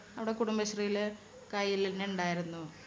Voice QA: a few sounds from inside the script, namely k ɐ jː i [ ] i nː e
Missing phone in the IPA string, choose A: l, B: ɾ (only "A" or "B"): A